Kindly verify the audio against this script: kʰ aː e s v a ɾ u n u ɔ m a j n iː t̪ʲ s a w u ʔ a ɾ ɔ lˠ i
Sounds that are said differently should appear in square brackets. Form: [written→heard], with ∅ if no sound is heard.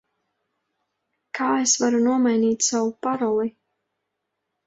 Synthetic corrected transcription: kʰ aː e s v a ɾ u n u ɔ m a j n iː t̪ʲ s a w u [ʔ→p] a ɾ ɔ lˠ i